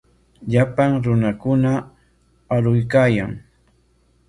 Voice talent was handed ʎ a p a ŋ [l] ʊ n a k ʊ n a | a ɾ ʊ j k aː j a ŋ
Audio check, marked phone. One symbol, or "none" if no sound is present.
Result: ɾ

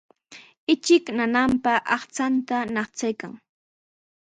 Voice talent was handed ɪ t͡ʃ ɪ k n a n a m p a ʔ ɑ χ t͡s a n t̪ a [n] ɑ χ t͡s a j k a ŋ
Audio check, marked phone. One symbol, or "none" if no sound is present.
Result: n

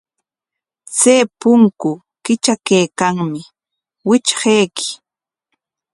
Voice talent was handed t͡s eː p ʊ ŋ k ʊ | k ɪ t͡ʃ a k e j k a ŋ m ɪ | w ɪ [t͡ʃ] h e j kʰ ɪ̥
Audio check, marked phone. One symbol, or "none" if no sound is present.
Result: t͡ʃ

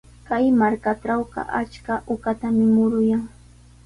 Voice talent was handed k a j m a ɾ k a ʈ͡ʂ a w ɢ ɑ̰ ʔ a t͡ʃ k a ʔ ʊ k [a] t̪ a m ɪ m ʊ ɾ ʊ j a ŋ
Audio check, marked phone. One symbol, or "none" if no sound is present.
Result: a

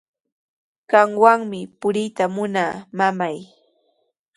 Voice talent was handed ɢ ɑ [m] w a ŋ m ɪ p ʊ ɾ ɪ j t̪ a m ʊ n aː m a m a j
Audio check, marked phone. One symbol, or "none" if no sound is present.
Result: ŋ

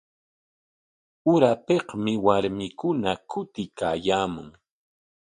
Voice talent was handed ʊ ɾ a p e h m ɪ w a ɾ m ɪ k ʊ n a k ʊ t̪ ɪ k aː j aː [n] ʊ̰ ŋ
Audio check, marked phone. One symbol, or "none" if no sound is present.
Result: m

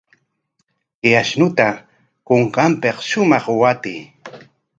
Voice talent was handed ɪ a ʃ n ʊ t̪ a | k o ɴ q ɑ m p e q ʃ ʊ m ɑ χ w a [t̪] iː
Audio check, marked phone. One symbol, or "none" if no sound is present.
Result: t̪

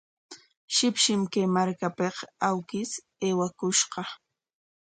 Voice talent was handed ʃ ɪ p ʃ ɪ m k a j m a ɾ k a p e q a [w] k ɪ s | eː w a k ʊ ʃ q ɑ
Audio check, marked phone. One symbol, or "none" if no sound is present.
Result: w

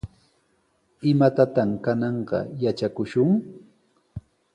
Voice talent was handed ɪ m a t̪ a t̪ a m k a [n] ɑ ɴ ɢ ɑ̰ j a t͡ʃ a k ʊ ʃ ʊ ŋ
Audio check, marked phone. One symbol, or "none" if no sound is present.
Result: n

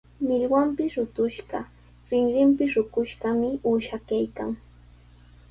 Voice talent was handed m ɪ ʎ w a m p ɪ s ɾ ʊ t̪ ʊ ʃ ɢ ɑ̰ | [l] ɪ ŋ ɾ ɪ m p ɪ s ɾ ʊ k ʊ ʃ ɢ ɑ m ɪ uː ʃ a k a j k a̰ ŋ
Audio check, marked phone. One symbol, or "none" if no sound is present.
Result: ɾ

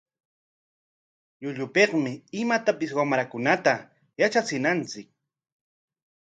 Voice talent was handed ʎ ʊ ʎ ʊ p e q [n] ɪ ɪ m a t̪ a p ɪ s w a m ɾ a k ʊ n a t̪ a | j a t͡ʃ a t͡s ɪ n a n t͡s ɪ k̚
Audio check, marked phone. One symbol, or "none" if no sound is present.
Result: m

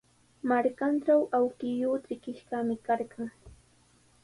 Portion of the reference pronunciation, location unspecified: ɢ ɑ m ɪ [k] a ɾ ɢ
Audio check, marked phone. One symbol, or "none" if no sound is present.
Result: k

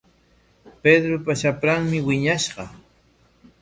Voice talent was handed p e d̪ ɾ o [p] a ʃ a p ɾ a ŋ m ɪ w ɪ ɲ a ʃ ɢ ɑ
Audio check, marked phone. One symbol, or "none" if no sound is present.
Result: p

